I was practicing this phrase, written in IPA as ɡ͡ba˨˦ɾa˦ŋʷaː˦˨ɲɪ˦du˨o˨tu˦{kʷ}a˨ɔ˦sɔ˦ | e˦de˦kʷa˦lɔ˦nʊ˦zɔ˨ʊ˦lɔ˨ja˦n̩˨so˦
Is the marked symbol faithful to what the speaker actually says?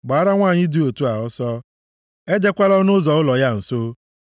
no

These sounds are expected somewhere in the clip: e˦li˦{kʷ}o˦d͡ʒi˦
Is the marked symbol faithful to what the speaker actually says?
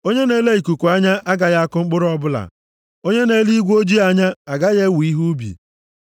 no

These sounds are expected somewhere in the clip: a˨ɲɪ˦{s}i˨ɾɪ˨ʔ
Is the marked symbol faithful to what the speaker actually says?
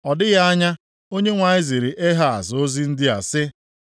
no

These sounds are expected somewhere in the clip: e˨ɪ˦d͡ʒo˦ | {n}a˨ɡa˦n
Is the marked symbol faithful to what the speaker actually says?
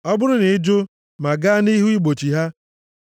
no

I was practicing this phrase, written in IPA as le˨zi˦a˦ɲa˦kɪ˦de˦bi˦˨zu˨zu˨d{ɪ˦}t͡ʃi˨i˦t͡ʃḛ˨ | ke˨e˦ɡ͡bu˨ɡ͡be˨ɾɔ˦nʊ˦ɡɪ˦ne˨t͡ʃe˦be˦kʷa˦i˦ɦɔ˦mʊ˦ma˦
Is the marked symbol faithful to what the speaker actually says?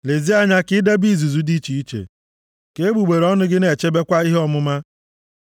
no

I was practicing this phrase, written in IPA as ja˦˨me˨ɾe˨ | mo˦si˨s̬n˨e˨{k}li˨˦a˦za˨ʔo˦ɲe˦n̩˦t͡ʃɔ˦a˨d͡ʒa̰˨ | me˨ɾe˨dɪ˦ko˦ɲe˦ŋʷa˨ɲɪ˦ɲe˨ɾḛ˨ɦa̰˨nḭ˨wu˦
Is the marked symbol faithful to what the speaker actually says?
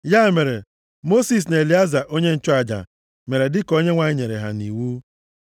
no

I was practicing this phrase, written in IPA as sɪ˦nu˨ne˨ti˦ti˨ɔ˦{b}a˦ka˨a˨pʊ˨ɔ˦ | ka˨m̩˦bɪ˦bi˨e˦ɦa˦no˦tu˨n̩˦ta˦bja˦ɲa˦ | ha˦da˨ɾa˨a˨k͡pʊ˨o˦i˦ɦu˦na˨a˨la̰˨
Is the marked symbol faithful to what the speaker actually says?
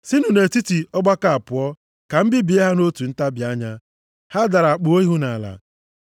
no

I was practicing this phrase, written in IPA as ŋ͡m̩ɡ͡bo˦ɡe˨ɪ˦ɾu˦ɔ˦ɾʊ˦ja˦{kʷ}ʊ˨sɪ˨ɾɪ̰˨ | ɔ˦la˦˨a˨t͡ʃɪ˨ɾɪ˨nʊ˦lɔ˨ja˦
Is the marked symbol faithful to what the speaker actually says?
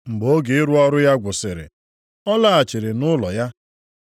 no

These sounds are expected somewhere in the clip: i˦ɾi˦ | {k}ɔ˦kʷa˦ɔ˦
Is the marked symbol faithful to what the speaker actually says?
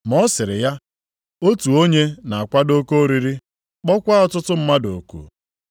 no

